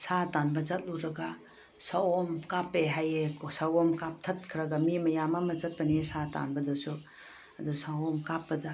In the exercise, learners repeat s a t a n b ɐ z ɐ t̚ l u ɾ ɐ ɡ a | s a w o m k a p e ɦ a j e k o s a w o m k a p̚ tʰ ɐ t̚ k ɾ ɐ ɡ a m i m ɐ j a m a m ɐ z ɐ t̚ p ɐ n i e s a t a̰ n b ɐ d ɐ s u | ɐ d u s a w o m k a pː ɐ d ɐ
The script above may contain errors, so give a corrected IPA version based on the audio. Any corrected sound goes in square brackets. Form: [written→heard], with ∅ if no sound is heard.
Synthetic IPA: s a t a n b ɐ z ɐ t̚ l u ɾ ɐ ɡ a | s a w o m k a p e ɦ a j e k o s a w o m k a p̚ tʰ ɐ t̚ [k→kʰ] ɾ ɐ ɡ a m i m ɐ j a m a m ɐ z ɐ t̚ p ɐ n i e s a t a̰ n b ɐ d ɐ s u | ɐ d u s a w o m k a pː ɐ d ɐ